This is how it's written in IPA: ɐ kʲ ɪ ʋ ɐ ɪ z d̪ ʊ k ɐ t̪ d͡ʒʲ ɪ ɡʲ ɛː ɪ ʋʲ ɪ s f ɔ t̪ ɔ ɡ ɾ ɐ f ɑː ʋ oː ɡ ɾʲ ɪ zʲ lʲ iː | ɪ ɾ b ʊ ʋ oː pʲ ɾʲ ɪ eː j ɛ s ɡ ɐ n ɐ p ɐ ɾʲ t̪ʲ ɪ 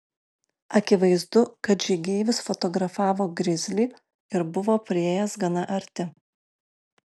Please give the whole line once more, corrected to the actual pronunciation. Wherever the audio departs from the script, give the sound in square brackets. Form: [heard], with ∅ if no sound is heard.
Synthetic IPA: ɐ kʲ ɪ ʋ ɐ ɪ z d̪ ʊ k ɐ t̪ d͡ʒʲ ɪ ɡʲ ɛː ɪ ʋʲ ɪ s f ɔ t̪ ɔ ɡ ɾ ɐ f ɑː ʋ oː ɡ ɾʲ ɪ zʲ lʲ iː | ɪ ɾ b ʊ ʋ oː pʲ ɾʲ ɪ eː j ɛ s ɡ ɐ n ɐ [ʔ] ɐ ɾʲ t̪ʲ ɪ